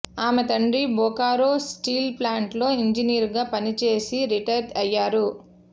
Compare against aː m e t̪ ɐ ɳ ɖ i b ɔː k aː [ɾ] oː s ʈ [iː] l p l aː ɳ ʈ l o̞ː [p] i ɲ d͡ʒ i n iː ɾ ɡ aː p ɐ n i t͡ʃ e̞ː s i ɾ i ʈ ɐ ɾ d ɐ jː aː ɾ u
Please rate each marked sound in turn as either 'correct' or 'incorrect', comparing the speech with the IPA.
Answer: correct, correct, incorrect

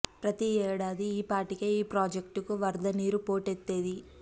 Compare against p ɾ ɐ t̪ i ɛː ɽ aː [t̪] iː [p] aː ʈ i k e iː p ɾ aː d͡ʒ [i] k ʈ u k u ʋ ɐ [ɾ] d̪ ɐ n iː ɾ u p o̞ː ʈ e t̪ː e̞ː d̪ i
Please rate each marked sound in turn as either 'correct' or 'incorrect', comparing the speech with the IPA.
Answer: incorrect, correct, incorrect, correct

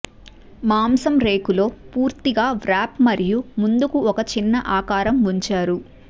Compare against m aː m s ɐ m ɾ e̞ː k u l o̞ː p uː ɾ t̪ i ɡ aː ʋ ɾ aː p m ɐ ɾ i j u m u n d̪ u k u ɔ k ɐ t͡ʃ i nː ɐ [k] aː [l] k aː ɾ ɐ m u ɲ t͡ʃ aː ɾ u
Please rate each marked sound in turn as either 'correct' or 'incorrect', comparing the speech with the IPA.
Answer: incorrect, incorrect

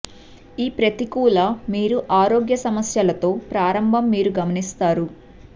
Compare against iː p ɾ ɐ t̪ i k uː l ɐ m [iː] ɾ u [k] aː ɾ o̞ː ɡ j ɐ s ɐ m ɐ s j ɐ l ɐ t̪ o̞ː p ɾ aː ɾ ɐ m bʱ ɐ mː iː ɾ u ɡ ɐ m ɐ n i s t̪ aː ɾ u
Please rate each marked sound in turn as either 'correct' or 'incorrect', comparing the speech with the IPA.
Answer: correct, incorrect

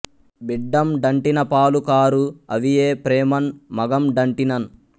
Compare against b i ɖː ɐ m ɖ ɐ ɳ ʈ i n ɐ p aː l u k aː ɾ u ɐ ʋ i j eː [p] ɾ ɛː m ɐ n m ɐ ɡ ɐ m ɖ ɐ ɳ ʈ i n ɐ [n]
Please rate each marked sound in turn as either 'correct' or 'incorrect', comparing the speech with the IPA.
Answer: correct, correct

